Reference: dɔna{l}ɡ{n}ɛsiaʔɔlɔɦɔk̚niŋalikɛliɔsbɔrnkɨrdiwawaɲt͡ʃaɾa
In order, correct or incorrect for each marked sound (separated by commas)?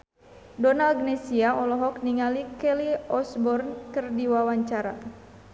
correct, correct